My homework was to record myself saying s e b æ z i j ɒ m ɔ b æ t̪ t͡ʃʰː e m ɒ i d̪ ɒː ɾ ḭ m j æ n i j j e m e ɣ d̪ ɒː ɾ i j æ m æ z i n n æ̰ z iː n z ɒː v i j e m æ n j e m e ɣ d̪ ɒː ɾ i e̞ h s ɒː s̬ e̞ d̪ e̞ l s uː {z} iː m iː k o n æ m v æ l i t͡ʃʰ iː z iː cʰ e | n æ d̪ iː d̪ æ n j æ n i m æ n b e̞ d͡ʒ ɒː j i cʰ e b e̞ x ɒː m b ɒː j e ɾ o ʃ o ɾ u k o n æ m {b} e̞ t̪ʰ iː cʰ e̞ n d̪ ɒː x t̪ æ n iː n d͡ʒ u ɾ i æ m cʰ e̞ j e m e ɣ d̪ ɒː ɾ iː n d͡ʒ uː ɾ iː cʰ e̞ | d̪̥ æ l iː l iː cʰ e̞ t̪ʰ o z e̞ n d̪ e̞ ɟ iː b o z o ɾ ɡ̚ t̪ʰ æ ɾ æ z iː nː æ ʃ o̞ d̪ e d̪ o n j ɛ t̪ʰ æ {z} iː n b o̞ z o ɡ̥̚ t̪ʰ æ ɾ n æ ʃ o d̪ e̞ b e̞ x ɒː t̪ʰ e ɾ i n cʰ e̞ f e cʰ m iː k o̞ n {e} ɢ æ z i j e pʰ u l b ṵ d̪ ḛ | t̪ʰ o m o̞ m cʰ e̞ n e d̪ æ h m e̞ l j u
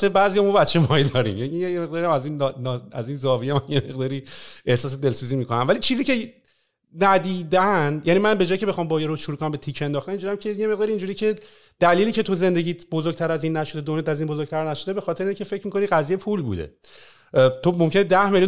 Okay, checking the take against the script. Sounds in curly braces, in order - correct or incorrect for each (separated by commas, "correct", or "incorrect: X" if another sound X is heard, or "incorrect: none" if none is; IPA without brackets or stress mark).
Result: correct, correct, correct, incorrect: i